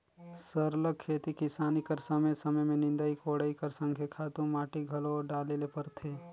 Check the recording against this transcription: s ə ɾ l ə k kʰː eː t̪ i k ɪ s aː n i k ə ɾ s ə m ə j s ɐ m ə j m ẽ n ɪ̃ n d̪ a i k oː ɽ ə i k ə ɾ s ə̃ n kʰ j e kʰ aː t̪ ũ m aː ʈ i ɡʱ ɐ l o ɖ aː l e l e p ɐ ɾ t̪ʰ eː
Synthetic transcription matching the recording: s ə ɾ l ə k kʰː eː t̪ i k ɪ s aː n i k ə ɾ s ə m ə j s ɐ m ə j m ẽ n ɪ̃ n d̪ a i k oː ɽ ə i k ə ɾ s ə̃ ŋ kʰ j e kʰ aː t̪ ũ m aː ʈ i ɡʱ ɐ l o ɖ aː l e l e p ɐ ɾ t̪ʰ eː